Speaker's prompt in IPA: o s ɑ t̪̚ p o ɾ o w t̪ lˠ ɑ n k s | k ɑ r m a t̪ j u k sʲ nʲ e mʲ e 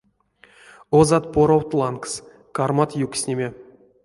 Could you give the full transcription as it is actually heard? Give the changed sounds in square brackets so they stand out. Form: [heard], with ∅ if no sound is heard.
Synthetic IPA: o [z] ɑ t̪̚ p o ɾ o w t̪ lˠ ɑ n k s | k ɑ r m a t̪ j u k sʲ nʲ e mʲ e